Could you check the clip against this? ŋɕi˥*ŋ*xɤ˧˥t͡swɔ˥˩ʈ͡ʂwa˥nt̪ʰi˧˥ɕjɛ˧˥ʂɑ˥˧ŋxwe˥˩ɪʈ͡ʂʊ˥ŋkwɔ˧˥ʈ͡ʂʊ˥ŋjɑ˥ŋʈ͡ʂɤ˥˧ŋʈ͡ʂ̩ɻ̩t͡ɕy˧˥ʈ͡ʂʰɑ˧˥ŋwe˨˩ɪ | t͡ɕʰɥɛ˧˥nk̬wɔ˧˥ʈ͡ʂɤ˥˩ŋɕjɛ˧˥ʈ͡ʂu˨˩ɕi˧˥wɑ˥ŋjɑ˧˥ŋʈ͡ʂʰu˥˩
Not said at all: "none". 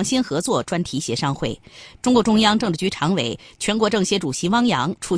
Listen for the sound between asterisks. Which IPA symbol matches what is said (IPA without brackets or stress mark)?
n